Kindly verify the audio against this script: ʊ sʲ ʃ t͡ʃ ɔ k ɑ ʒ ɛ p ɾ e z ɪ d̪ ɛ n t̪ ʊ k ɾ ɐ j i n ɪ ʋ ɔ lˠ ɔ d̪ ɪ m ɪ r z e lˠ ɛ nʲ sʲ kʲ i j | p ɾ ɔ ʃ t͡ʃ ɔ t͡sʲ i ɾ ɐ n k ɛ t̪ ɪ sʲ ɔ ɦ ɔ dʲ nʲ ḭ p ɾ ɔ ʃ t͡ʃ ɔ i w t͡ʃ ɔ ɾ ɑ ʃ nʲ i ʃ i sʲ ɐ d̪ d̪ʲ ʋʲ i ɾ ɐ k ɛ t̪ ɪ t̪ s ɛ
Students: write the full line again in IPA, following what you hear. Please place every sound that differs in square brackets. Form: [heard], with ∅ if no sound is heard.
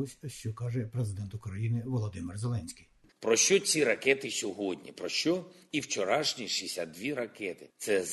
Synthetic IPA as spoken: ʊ sʲ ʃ t͡ʃ ɔ k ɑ ʒ ɛ p ɾ e z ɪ d̪ ɛ n t̪ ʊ k ɾ ɐ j i n ɪ ʋ ɔ lˠ ɔ d̪ ɪ m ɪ r z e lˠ ɛ nʲ sʲ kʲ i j | p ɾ ɔ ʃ t͡ʃ ɔ t͡sʲ i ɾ ɐ [∅] k ɛ t̪ ɪ sʲ ɔ ɦ ɔ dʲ nʲ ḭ p ɾ ɔ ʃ t͡ʃ ɔ i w t͡ʃ ɔ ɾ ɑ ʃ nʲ i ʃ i sʲ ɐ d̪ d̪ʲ ʋʲ i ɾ ɐ k ɛ t̪ ɪ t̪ s ɛ